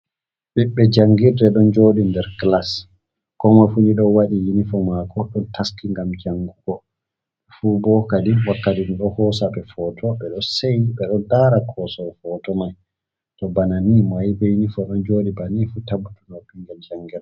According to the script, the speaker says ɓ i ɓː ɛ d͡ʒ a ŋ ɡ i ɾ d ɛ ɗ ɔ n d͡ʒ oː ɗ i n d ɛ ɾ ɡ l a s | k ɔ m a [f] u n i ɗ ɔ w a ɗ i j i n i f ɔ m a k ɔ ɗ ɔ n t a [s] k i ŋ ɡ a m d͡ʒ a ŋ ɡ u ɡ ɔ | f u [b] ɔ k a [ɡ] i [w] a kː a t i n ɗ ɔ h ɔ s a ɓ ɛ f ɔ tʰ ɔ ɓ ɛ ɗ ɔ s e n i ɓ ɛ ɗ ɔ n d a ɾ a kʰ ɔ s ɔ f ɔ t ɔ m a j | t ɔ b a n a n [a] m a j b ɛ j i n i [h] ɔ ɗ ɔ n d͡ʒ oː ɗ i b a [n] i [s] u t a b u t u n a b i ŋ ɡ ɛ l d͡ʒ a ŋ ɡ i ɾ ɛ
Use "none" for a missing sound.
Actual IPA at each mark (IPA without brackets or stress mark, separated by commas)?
f, s, b, d, w, i, f, n, f